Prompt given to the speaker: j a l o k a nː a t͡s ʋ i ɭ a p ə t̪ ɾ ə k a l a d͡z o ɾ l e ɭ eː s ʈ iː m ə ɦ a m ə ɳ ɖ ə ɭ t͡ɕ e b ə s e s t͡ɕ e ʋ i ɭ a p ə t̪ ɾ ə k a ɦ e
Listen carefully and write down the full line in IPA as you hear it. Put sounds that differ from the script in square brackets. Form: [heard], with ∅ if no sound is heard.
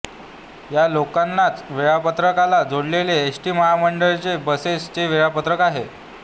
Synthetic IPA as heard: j a l o k a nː a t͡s ʋ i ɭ a p ə t̪ ɾ ə k a l a d͡z o [ɽ] l e [l] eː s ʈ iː m ə ɦ a m ə ɳ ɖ ə ɭ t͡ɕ e b ə s e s t͡ɕ e ʋ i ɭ a p ə t̪ ɾ ə k a ɦ e